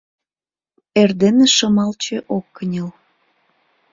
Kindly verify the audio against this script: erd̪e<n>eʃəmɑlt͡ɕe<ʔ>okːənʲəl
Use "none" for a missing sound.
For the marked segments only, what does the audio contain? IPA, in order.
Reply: n, ʔ

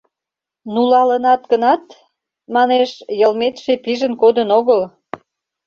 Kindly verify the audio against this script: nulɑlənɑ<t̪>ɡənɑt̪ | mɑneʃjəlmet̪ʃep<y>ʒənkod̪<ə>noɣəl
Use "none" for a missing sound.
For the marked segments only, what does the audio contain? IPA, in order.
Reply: t̪, i, ə

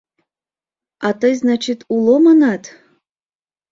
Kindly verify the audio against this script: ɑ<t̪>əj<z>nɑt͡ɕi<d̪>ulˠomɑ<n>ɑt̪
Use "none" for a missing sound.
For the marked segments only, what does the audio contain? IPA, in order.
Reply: t̪, z, t̪, n

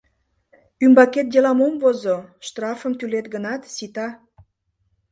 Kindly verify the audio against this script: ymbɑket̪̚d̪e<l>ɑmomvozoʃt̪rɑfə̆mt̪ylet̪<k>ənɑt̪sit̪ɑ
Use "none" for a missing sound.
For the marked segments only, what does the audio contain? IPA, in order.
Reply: l, ɡ

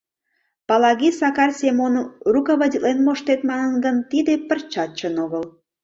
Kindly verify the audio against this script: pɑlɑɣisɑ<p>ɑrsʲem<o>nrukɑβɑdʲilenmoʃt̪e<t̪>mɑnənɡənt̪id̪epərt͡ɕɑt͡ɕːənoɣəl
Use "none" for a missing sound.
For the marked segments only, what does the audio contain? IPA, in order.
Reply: k, o, t̪

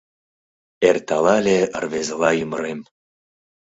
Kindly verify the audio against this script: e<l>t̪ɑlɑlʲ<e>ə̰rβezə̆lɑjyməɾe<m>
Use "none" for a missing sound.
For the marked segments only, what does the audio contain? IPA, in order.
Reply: r, e, m

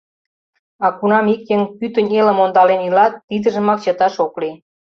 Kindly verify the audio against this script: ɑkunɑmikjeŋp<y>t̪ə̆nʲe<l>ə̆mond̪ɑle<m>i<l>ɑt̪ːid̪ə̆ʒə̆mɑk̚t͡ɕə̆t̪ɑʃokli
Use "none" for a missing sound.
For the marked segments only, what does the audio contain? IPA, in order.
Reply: y, l, n, l

